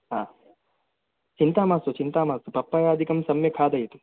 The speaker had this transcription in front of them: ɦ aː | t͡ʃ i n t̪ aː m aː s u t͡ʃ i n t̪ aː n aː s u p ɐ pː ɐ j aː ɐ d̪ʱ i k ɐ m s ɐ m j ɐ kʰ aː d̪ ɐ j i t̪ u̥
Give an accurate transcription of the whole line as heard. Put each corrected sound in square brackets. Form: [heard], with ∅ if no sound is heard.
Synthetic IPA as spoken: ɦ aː | t͡ʃ i n t̪ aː m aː s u t͡ʃ i n t̪ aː [m] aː s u p ɐ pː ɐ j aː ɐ d̪ʱ i k ɐ m s ɐ m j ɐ kʰ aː d̪ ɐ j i t̪ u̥